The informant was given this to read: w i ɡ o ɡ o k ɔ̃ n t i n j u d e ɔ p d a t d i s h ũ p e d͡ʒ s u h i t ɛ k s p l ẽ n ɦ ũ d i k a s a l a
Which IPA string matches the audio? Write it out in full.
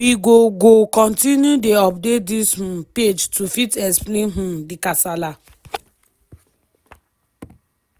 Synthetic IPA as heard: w i ɡ o ɡ o k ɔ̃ n t i n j u d e ɔ p d e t d i s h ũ p e d͡ʒ t u f i t ɛ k s p l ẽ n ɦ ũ d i k a s a l a

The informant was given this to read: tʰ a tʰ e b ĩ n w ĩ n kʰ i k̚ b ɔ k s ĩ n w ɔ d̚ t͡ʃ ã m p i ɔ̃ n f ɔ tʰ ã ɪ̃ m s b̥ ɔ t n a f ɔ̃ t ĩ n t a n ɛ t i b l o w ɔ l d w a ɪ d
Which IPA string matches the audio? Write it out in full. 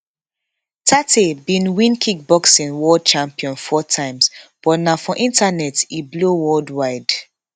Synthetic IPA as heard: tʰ a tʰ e b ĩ n w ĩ n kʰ i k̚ b ɔ k s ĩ n w ɔ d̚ t͡ʃ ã m p i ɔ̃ n f ɔ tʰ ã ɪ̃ m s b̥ ɔ t n a f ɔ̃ ʔ ĩ n t a n ɛ t i b l o w ɔ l d w a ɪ d

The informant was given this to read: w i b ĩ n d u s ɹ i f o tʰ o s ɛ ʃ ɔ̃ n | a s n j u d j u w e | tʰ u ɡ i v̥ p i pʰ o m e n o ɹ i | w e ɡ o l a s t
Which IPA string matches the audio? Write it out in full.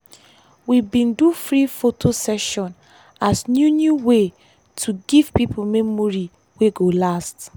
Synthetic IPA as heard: w i b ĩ n d u f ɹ i f o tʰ o s ɛ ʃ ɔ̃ n | a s n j u n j u w e | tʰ u ɡ i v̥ p i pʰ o m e m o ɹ i | w e ɡ o l a s t

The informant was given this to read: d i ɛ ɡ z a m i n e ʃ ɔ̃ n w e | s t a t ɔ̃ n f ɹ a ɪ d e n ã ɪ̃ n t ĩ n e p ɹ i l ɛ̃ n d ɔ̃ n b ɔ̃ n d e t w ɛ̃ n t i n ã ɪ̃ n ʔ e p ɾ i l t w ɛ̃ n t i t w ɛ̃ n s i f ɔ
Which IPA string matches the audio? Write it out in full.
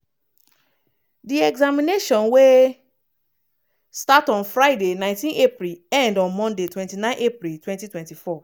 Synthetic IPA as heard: d i ɛ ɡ z a m i n e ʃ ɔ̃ n w e | s t a t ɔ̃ n f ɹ a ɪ d e n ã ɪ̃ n t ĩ n e p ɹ i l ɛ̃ n d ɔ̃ n m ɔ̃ n d e t w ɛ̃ n t i n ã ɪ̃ n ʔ e p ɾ i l t w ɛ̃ n t i t w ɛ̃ n t i f ɔ

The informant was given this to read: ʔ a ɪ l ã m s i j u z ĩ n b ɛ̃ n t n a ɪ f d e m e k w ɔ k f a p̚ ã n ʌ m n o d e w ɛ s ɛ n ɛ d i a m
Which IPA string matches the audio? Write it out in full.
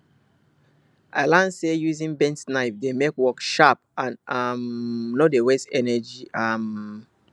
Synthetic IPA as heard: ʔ a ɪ l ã n s e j u z ĩ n b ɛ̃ n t n a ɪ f d e m e k w ɔ k ʃ a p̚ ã n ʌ m n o d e w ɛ s ɛ n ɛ d͡ʒ i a m

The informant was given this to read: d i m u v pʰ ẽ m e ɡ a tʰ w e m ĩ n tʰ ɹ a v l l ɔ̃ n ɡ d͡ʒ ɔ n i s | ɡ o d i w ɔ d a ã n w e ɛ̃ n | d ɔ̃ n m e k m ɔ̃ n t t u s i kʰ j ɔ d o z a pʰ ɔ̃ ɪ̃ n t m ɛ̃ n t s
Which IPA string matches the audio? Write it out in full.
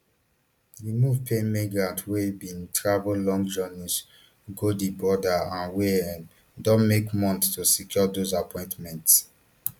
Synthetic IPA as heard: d i m u v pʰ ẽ m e ɡ a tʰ w e b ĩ n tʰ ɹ a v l l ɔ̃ ŋ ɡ d͡ʒ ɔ n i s | ɡ o d i b ɔ d a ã n w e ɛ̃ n | d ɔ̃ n m e k m ɔ̃ n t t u s i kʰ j ɔ d o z a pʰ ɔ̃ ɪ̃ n t m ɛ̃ n t s

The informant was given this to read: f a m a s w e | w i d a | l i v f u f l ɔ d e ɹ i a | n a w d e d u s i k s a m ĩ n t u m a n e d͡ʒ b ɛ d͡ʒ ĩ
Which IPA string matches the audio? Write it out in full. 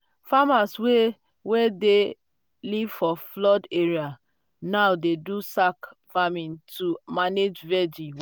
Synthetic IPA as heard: f a m a s w e | w e d e | l i v f ɔ f l ɔ d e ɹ i a | n a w d e d u s a k f a m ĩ n t u m a n e d͡ʒ v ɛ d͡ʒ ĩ

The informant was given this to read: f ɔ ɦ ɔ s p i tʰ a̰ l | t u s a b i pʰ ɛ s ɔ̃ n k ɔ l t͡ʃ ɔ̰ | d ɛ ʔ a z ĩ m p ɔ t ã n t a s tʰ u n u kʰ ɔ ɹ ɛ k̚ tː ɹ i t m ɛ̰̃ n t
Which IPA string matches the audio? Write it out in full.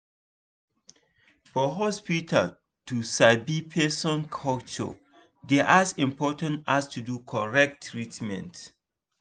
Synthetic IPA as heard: f ɔ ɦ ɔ s p i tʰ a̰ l | t u s a b i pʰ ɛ s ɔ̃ n kʰ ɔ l t͡ʃ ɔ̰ | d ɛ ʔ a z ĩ m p ɔ t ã n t a s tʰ u d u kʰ ɔ ɹ ɛ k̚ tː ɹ i t m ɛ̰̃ n t

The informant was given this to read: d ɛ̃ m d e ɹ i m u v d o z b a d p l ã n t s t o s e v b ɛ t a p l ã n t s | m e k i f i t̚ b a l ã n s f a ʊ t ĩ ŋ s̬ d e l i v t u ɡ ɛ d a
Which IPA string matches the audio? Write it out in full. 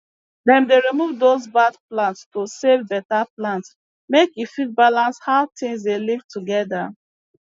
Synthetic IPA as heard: d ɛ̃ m d e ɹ i m u v d o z b a d p l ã n t s t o s e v b ɛ t a p l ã n t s | m e k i f i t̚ b a l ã n s h a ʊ t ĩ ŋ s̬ d e l i v t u ɡ ɛ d a

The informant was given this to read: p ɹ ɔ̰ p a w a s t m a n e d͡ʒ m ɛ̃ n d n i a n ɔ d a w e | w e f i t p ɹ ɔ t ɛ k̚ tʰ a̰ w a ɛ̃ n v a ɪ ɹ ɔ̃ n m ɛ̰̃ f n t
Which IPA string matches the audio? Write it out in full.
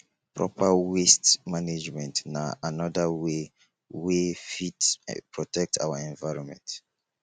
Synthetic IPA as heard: p ɹ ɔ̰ p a w e s t m a n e d͡ʒ m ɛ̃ n t n a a n ɔ d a w e | w e f i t p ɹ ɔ t ɛ k̚ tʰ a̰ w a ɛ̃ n v a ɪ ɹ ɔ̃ n m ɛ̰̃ n t

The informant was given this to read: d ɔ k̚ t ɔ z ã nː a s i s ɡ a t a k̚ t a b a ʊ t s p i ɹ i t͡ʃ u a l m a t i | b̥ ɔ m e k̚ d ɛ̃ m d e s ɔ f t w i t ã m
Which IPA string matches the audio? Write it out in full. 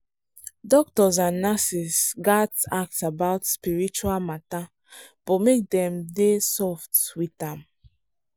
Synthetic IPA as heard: d ɔ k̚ t ɔ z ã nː a s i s ɡ a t a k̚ t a b a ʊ t s p i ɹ i t͡ʃ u a l m a t a | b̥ ɔ m e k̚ d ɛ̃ m d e s ɔ f t w i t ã m

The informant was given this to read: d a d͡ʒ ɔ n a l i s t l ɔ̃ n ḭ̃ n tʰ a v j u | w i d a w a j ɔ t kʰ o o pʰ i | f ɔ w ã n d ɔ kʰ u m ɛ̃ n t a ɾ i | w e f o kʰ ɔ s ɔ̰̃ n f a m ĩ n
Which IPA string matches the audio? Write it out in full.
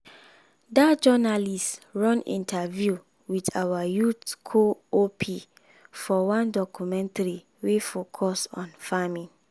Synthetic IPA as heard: d a d͡ʒ ɔ n a l i s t ɹ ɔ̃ n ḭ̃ n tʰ a v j u | w i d a w a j u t kʰ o o pʰ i | f ɔ w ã n d ɔ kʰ u m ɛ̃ n t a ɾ i | w e f o kʰ ɔ s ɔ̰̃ n f a m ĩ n

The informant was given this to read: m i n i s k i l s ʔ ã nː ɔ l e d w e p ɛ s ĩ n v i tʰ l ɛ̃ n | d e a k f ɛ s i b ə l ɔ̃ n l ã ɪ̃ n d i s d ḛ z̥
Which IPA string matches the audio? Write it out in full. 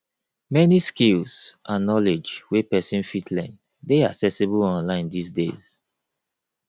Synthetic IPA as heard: m ɛ n i s k i l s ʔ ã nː ɔ l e d͡ʒ w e p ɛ s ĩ n f i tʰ l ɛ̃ n | d e a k s ɛ s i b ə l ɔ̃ n l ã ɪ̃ n d i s d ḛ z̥

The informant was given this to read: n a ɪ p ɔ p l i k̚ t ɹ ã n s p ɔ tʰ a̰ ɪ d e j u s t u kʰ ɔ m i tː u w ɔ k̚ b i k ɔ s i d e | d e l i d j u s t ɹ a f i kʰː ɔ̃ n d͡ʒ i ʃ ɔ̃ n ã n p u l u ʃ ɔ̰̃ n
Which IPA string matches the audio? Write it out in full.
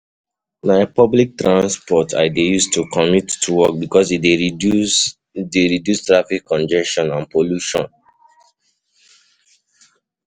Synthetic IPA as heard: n a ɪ p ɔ b l i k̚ t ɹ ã n s p ɔ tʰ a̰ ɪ d e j u s t u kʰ ɔ m i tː u w ɔ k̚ b i k ɔ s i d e | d e ɹ i d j u s t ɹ a f i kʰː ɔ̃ n d͡ʒ ɛ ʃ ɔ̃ n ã n p o l u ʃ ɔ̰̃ n

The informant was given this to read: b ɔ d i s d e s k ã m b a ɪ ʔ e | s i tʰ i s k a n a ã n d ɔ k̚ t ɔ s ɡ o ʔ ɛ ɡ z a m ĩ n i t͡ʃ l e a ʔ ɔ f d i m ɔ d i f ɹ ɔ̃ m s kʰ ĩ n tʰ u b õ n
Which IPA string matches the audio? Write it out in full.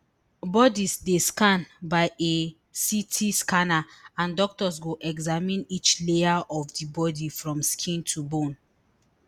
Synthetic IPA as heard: b ɔ d i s d e s k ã n b a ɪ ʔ e | s i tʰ i s k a n a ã n d ɔ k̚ t ɔ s ɡ o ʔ ɛ ɡ z a m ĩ n i t͡ʃ l e a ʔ ɔ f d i b ɔ d i f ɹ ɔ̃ m s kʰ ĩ n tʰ u b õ n

